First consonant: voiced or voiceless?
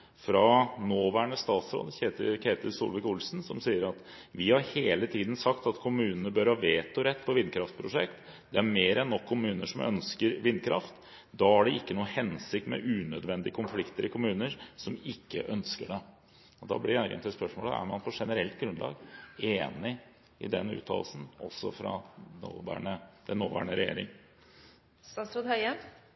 voiceless